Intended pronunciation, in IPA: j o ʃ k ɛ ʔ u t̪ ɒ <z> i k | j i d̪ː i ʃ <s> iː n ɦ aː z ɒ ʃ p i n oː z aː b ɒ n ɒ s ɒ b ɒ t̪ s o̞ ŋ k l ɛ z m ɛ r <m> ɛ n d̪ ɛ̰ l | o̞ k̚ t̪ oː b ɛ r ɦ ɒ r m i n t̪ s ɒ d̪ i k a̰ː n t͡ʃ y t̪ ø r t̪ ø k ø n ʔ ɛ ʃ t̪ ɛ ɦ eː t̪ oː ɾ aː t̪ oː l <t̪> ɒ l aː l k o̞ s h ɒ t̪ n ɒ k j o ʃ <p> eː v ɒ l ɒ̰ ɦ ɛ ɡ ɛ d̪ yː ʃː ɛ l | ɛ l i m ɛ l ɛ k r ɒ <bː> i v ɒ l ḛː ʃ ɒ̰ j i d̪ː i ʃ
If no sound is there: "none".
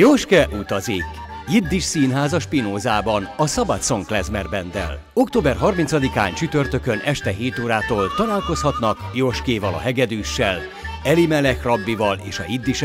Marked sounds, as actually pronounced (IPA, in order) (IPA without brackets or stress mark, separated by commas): z, s, b, t̪, k, bː